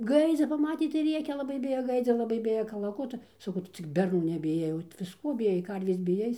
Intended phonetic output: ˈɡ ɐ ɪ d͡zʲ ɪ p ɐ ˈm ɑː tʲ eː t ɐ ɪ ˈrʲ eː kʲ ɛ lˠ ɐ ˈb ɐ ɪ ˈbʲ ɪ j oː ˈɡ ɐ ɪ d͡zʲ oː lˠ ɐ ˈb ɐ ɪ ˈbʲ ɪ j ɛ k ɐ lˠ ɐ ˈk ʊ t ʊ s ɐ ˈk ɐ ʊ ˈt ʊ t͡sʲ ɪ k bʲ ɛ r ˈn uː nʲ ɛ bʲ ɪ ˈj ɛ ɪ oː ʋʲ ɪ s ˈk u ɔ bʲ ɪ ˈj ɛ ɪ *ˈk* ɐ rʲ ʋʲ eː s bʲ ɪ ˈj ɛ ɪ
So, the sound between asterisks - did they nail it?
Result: yes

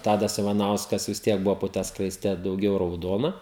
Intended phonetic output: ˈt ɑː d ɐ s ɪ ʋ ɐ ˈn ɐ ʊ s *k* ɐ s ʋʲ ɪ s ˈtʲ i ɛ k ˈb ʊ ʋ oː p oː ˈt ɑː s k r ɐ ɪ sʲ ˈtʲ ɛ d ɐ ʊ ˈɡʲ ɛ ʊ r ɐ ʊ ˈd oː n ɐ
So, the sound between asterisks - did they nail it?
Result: yes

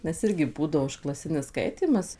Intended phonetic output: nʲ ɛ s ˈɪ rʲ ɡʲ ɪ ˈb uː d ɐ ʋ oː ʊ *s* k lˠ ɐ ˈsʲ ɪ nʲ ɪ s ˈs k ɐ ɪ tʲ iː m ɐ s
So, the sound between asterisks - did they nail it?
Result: no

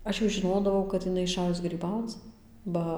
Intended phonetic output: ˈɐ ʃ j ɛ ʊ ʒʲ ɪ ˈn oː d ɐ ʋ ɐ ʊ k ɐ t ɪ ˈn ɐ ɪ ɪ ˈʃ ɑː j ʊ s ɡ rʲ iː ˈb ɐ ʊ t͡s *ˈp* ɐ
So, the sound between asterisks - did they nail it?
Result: no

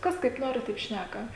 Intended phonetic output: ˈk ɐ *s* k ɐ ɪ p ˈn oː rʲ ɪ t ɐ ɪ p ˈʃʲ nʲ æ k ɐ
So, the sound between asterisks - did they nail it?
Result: yes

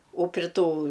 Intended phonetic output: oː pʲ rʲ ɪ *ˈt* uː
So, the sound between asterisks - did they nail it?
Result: yes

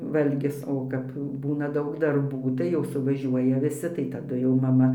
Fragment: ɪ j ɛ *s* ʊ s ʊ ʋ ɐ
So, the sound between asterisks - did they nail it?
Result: no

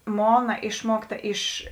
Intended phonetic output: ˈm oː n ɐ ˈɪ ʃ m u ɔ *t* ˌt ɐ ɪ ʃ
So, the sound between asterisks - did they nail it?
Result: no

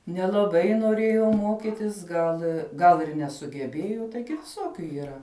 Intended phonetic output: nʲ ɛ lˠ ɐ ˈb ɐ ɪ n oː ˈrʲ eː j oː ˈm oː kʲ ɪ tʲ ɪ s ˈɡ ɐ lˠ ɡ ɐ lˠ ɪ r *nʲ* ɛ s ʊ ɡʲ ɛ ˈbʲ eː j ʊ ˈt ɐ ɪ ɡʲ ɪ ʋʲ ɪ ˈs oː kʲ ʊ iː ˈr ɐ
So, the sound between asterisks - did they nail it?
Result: yes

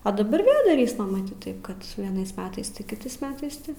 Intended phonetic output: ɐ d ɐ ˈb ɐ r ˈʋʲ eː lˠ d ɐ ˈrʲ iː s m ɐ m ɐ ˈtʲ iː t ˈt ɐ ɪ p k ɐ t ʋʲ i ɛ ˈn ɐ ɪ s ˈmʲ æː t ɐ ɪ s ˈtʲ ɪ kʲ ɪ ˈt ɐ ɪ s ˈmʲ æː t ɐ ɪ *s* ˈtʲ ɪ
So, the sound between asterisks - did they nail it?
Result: yes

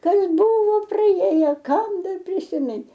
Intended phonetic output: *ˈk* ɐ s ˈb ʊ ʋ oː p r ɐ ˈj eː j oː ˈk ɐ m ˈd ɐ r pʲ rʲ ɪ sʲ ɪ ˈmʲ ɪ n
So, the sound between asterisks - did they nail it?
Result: yes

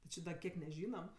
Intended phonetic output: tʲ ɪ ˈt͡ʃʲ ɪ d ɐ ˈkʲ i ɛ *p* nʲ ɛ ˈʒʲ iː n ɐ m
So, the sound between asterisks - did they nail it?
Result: no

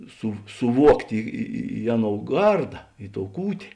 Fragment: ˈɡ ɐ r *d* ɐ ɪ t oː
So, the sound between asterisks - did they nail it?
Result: yes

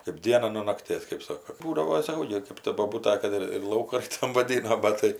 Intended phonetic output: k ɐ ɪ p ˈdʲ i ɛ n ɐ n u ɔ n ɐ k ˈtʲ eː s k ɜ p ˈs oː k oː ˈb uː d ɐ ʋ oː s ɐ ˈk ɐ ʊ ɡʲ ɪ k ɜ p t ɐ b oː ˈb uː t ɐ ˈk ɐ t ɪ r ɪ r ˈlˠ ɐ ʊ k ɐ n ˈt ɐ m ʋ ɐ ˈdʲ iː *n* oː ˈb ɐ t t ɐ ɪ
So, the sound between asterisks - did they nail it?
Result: yes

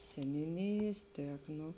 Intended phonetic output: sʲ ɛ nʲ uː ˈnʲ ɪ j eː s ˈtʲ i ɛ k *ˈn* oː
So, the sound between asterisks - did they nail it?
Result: yes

